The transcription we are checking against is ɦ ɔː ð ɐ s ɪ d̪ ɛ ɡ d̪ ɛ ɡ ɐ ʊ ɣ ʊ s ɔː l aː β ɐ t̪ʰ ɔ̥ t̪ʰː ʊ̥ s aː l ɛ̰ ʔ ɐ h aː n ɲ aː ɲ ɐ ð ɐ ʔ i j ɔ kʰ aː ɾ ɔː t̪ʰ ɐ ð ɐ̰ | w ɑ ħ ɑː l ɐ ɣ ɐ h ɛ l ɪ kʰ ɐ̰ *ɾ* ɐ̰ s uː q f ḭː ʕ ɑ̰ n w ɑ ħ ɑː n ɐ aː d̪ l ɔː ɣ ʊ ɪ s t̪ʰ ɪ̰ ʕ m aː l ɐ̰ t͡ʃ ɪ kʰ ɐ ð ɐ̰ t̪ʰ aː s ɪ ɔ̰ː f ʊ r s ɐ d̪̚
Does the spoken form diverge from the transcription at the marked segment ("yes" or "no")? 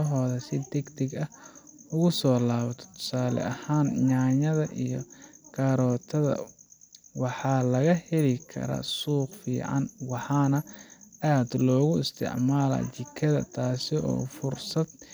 no